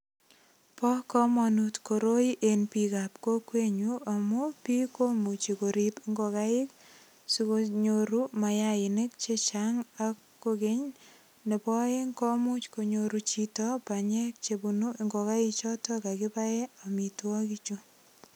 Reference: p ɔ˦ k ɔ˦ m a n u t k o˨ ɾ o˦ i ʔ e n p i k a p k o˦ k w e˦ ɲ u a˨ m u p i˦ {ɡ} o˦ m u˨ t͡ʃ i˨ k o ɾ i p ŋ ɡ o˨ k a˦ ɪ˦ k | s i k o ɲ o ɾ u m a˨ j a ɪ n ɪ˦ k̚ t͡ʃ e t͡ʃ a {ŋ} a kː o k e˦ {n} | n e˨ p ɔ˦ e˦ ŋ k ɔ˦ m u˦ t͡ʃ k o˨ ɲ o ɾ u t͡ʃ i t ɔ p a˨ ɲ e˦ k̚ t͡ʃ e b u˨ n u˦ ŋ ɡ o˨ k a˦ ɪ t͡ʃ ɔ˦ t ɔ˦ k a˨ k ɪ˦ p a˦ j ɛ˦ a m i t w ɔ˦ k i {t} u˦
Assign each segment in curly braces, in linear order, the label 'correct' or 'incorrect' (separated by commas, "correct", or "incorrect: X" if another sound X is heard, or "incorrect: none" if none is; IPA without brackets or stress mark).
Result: incorrect: k, correct, incorrect: ɲ, incorrect: t͡ʃ